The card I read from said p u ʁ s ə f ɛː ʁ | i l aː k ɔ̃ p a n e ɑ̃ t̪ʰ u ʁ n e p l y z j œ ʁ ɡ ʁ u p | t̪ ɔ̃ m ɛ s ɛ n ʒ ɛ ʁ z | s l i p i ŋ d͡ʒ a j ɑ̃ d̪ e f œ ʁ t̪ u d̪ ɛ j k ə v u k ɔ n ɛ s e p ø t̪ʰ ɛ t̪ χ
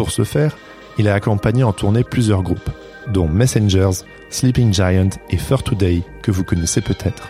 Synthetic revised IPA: p u ʁ s ə f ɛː ʁ | i l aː k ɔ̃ p a ɲ e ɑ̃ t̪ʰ u ʁ n e p l y z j œ ʁ ɡ ʁ u p | d̪ ɔ̃ m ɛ s ɛ n ʒ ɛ ʁ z | s l i p i ŋ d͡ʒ a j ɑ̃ t̪ e f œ ʁ t̪ u d̪ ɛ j k ə v u k ɔ n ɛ s e p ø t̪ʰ ɛ t̪ χ